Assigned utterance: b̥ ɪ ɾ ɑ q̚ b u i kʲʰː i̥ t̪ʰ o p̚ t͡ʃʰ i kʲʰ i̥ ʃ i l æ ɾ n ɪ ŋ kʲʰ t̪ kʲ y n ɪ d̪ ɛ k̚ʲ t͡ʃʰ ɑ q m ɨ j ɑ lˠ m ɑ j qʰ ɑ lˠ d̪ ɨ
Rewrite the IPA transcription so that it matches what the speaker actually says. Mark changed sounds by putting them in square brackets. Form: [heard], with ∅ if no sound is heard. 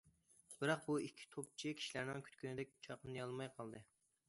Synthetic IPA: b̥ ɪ ɾ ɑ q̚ b u i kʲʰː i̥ t̪ʰ o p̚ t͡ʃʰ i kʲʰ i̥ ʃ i l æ ɾ n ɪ ŋ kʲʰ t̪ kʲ y n ɪ d̪ ɛ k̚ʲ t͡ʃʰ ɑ q [n] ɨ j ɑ lˠ m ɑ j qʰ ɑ lˠ d̪ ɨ

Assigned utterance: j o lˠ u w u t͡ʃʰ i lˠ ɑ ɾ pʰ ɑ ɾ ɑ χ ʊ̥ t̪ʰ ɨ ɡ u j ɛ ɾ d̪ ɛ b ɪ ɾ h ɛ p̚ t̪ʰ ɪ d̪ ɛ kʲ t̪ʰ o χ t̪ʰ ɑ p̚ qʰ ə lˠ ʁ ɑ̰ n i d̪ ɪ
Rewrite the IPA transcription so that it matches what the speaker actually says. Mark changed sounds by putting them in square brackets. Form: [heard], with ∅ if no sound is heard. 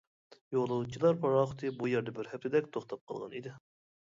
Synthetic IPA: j o lˠ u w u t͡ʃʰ i lˠ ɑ ɾ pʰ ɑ ɾ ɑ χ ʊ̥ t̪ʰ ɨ [b] u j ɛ ɾ d̪ ɛ b ɪ ɾ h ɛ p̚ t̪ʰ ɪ d̪ ɛ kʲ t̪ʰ o χ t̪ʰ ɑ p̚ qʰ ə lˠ ʁ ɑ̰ n i d̪ ɪ

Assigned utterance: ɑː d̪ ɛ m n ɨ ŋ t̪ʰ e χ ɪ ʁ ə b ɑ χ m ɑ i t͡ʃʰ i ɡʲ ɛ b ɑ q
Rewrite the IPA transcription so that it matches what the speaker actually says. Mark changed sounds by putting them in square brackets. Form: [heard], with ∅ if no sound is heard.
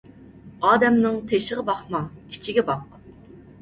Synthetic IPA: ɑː d̪ ɛ m n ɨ ŋ t̪ʰ e [ʃ] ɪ ʁ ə b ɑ χ m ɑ i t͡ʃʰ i ɡʲ ɛ b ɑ q

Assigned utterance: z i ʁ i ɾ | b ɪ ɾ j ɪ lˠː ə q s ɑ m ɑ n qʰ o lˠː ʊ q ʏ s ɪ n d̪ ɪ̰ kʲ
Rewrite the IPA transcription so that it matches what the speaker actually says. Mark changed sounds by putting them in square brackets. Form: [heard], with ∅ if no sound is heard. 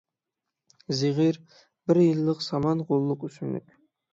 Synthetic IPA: z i ʁ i ɾ | b ɪ ɾ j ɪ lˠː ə q s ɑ m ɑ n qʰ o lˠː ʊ q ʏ s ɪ n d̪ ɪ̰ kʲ

